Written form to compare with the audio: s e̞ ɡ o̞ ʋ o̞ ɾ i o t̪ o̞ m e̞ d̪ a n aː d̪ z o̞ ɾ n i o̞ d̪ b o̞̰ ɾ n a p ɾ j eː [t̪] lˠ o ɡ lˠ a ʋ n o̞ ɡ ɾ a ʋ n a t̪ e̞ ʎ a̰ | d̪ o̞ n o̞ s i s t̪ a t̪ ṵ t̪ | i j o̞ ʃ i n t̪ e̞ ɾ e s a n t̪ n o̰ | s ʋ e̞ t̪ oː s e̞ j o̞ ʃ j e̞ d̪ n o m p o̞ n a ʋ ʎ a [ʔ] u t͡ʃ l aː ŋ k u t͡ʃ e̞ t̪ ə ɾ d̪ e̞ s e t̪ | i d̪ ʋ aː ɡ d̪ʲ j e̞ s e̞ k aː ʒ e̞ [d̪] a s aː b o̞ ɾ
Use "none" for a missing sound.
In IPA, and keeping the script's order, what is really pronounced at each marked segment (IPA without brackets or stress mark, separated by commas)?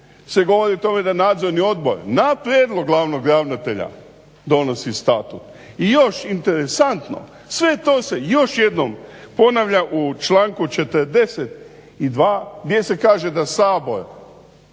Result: d̪, ʔ, d̪